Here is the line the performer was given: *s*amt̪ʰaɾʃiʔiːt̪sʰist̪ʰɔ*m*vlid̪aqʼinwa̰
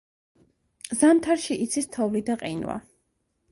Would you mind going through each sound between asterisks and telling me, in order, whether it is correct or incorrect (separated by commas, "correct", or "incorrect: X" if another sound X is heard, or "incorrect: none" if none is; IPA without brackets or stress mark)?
incorrect: z, incorrect: none